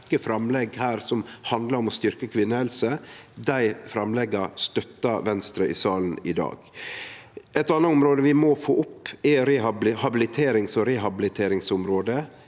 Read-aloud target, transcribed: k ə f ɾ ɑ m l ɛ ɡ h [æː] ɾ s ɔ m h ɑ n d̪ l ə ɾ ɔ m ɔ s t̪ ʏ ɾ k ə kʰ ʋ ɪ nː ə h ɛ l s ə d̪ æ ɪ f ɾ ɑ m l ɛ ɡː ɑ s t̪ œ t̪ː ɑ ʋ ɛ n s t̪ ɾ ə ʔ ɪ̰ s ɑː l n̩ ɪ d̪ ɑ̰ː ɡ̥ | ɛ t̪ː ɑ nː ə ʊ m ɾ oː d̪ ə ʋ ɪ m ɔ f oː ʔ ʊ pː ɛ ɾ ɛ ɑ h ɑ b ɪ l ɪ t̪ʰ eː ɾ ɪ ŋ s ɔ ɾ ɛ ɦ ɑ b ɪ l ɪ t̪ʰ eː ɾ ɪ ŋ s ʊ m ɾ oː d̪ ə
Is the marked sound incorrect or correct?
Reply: correct